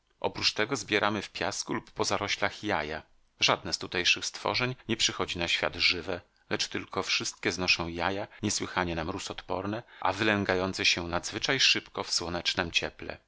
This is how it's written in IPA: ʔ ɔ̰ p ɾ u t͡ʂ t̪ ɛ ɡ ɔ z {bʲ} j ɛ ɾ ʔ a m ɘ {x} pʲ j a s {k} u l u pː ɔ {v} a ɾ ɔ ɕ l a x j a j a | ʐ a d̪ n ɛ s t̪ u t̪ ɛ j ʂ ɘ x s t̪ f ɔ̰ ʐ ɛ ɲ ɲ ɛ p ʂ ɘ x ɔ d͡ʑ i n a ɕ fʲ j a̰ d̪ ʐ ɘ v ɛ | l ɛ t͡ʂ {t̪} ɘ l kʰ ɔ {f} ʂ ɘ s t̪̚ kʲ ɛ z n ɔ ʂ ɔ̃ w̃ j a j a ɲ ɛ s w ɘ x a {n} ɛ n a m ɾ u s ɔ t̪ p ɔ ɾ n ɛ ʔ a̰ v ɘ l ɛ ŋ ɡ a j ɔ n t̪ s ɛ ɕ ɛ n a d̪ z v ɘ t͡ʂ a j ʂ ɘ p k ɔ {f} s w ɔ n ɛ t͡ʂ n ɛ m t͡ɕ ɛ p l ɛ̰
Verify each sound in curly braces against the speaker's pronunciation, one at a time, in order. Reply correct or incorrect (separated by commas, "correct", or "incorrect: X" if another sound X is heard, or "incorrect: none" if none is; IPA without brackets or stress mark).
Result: correct, incorrect: f, correct, incorrect: z, correct, correct, incorrect: ɲ, correct